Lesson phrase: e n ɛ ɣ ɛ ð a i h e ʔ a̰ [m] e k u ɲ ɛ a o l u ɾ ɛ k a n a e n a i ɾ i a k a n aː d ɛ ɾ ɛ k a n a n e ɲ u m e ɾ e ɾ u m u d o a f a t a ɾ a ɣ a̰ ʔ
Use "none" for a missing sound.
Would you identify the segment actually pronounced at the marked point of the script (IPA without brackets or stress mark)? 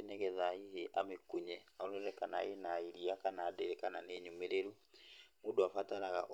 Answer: m